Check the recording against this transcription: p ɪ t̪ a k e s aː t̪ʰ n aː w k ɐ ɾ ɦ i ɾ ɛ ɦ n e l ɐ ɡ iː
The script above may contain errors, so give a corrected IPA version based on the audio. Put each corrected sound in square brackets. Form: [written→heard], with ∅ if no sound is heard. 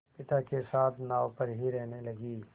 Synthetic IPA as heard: p ɪ t̪ a k e s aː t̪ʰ n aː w [k→p] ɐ ɾ ɦ i ɾ ɛ ɦ n e l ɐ ɡ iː